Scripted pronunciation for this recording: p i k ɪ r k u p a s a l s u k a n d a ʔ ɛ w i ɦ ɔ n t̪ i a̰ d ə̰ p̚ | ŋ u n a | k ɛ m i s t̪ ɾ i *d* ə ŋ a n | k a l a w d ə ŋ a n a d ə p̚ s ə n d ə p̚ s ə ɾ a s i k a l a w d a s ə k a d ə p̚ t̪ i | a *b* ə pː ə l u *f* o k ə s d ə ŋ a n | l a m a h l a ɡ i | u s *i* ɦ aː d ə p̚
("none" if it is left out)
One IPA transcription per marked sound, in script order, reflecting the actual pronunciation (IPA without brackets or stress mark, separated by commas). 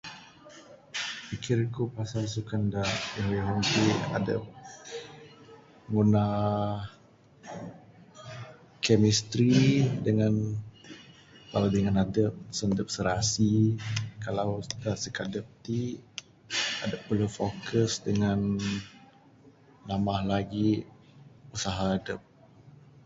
d, d, f, a